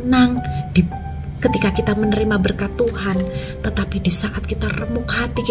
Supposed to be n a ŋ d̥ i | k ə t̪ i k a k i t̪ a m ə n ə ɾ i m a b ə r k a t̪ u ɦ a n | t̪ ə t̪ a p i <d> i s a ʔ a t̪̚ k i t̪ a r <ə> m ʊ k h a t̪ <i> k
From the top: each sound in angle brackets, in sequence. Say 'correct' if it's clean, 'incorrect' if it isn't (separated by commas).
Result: correct, correct, correct